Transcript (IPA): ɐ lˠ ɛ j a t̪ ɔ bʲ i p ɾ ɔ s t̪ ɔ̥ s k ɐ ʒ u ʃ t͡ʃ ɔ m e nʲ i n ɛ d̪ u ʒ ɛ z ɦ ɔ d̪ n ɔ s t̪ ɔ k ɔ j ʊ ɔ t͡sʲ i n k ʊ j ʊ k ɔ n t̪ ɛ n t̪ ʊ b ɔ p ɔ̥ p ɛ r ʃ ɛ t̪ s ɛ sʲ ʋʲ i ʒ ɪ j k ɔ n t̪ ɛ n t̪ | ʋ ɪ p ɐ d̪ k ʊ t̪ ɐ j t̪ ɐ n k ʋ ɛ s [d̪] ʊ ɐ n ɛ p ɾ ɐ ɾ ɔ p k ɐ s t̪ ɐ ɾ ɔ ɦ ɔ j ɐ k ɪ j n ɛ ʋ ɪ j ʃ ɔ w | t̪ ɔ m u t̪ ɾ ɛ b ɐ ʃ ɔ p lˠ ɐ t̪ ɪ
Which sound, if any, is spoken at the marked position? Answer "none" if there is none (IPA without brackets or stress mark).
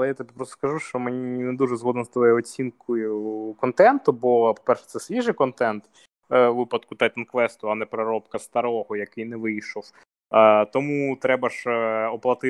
t̪